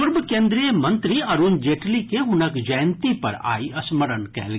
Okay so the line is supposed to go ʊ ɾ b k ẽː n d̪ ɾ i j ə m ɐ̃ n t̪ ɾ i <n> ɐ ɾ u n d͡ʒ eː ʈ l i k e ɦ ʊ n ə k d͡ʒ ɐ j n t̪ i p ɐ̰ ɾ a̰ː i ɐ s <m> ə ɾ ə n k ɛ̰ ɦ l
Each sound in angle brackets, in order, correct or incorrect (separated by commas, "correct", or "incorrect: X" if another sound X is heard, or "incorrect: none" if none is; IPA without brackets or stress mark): incorrect: none, correct